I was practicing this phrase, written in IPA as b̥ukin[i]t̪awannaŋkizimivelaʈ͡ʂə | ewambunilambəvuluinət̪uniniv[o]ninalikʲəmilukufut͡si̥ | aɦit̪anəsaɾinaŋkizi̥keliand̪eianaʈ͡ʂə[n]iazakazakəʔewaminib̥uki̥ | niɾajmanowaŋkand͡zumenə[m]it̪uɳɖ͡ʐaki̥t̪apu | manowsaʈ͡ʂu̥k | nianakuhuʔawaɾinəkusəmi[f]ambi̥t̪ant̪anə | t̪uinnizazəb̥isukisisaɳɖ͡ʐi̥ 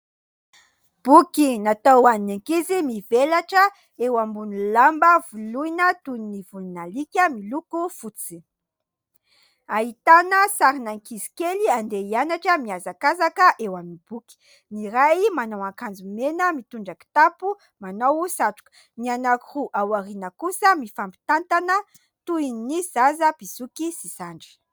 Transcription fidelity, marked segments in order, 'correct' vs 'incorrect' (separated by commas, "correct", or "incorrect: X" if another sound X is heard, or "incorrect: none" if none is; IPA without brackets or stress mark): incorrect: a, incorrect: u, incorrect: m, correct, correct